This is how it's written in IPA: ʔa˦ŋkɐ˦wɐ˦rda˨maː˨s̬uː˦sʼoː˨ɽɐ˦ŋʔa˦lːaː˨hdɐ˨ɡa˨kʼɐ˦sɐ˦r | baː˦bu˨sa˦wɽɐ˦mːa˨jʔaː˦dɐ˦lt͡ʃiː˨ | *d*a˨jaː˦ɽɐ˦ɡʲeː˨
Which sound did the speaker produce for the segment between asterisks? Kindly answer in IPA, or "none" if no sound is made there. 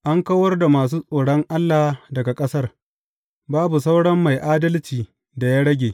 d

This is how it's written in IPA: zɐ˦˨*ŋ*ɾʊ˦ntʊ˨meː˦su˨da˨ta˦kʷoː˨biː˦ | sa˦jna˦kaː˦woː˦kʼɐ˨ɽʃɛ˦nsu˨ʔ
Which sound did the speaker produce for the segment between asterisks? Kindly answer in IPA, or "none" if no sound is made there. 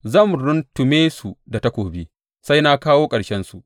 m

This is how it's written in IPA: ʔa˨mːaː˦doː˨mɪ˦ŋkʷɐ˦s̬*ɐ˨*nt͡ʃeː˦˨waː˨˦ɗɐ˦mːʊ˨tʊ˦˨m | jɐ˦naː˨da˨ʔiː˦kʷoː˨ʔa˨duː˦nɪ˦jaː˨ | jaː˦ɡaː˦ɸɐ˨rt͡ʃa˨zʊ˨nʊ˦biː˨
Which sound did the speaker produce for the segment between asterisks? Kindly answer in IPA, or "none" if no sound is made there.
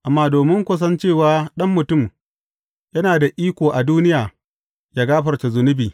ɐ˦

